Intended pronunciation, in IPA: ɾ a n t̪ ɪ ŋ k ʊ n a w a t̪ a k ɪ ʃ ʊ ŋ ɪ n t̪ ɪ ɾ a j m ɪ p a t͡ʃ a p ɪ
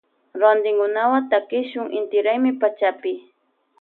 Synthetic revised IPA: ɾ a n d̪ ɪ ŋ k ʊ n a w a t̪ a k ɪ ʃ ʊ ŋ ɪ n t̪ ɪ ɾ a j m ɪ p a t͡ʃ a p ɪ